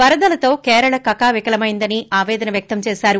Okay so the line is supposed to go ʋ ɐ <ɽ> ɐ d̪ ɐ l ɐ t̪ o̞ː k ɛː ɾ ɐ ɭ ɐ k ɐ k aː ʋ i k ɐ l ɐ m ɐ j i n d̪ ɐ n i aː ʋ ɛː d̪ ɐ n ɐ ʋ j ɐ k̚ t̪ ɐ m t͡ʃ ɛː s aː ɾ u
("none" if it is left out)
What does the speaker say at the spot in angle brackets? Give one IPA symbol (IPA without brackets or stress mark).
ɾ